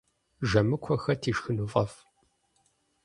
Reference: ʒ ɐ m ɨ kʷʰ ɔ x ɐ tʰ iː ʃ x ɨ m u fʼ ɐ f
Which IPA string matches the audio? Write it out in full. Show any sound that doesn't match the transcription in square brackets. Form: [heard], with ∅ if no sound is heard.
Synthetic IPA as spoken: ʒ ɐ m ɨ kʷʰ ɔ x ɐ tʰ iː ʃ x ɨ [n] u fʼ ɐ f